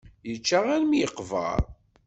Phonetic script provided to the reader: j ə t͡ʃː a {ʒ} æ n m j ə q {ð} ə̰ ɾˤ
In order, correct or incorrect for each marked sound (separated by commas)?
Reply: incorrect, incorrect